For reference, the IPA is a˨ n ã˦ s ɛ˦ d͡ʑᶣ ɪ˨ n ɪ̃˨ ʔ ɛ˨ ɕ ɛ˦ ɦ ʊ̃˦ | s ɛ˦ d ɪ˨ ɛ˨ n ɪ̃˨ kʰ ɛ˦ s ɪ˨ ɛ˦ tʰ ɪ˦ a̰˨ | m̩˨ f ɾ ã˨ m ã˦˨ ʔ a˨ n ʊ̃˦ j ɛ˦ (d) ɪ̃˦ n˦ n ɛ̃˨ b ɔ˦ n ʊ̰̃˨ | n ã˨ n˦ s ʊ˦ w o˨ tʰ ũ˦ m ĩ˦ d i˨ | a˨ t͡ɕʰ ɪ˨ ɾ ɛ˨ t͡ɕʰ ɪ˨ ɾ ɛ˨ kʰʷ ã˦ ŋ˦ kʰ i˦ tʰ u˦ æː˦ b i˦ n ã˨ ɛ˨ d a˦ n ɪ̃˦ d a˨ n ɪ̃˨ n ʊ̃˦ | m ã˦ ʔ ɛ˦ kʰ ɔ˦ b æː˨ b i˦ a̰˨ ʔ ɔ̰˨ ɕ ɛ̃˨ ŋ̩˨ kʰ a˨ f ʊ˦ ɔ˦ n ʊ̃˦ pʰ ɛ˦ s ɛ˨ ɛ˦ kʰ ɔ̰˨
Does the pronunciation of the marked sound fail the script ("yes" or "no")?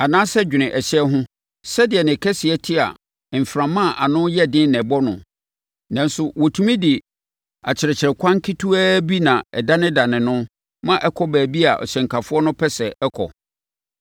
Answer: no